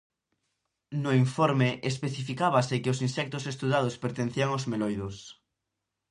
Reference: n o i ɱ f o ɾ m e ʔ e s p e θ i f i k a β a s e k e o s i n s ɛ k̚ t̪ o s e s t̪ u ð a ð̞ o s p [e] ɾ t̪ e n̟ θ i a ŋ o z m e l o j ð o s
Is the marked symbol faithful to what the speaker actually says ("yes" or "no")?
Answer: yes